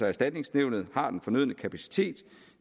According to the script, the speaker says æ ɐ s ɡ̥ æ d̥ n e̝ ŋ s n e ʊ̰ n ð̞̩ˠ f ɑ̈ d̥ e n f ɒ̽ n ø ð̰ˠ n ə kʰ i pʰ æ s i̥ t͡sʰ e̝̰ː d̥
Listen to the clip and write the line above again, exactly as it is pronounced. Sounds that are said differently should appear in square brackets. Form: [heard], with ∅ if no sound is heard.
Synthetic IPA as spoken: æ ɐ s [d̥] æ d̥ n e̝ ŋ s n e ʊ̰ n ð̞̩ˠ [h] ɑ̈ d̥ e n f ɒ̽ n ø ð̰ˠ n ə kʰ [æ] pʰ æ s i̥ t͡sʰ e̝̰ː d̥